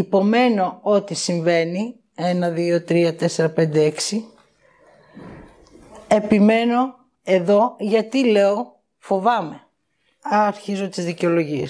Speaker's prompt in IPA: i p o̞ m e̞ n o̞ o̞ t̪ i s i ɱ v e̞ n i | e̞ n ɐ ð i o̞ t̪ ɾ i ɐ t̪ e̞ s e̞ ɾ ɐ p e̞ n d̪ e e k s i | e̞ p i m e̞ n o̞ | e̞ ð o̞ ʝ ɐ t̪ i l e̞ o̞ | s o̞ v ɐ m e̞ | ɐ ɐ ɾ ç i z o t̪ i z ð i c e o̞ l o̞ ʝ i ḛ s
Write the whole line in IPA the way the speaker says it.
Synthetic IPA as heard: i p o̞ m e̞ n o̞ o̞ t̪ i s i ɱ v e̞ n i | e̞ n ɐ ð i o̞ t̪ ɾ i ɐ t̪ e̞ s e̞ ɾ ɐ p e̞ n d̪ e e k s i | e̞ p i m e̞ n o̞ | e̞ ð o̞ ʝ ɐ t̪ i l e̞ o̞ | f o̞ v ɐ m e̞ | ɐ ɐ ɾ ç i z o t̪ i z ð i c e o̞ l o̞ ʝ i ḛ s